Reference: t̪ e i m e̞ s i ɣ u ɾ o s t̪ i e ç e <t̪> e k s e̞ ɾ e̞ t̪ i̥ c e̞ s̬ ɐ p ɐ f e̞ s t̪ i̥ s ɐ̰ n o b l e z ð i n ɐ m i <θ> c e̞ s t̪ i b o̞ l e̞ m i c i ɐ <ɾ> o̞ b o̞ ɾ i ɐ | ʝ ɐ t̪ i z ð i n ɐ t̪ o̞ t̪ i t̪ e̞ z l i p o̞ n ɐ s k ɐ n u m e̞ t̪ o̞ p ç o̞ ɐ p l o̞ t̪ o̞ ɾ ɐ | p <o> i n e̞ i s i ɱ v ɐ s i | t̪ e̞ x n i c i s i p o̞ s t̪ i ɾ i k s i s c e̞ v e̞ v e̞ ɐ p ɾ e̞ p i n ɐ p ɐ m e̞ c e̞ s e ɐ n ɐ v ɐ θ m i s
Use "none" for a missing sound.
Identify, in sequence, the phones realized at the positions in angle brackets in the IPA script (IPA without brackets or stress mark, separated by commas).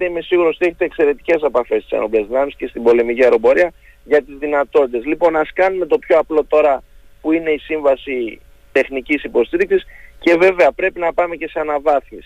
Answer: t̪, s, ɾ, u